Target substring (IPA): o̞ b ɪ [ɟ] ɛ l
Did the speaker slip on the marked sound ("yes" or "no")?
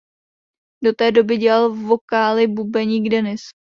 no